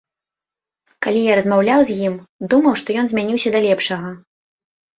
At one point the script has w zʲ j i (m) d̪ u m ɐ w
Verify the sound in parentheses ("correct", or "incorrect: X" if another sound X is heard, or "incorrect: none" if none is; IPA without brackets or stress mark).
correct